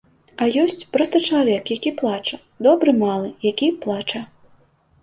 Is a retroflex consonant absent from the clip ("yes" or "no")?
no